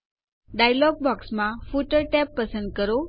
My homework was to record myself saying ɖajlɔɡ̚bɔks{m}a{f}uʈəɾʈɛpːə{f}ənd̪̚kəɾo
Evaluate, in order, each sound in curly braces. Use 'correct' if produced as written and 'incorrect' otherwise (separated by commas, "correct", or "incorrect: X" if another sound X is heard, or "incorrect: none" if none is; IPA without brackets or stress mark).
correct, correct, incorrect: s